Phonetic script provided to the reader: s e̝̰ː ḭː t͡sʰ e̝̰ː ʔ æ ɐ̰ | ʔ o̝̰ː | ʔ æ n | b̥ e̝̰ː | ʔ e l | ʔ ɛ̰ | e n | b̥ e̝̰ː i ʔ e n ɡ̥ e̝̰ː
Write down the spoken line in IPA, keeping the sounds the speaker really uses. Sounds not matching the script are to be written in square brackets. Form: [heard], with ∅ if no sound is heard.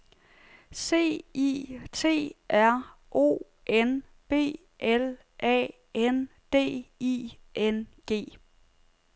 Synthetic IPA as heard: s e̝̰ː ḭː t͡sʰ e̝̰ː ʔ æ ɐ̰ | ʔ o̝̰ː | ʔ [e] n | b̥ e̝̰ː | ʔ e l | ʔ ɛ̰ | e n | [d̥] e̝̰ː i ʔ e n ɡ̥ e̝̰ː

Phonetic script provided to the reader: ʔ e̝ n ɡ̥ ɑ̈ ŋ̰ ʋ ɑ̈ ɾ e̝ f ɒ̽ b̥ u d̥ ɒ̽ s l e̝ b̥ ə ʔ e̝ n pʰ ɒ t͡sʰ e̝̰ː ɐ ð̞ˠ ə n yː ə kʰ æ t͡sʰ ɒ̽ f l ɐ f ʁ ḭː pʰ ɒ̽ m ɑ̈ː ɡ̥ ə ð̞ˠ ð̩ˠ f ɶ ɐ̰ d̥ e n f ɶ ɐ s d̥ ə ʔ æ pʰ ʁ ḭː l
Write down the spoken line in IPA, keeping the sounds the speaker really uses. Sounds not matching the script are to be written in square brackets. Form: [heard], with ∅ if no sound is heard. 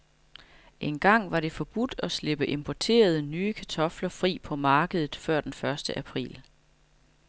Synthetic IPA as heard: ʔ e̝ n ɡ̥ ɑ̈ ŋ̰ ʋ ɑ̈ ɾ e̝ f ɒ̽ b̥ u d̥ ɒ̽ s l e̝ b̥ ə ʔ e̝ [m] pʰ ɒ t͡sʰ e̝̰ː ɐ ð̞ˠ ə n yː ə kʰ æ t͡sʰ ɒ̽ f l ɐ f ʁ ḭː pʰ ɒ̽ m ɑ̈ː ɡ̥ ə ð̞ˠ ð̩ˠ f ɶ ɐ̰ d̥ e n f ɶ ɐ s d̥ ə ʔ æ pʰ ʁ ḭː l

